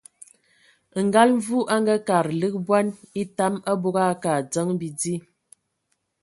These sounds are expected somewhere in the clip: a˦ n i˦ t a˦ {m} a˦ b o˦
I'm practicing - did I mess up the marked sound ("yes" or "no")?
no